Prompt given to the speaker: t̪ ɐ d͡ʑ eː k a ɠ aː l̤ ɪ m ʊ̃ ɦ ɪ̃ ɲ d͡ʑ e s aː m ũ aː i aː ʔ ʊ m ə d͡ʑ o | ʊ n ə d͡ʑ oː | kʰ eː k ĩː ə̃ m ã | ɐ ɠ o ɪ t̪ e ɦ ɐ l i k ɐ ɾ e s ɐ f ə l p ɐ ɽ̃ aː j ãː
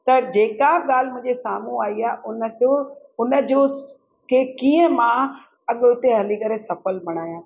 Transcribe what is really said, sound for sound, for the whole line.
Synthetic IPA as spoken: t̪ ɐ d͡ʑ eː k a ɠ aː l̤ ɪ m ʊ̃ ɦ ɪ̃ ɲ d͡ʑ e s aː m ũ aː i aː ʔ ʊ n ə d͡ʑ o | ʊ n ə d͡ʑ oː | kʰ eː k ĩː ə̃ m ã | ɐ ɠ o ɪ t̪ e ɦ ɐ l i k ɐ ɾ e s ɐ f ə l b ɐ ɽ̃ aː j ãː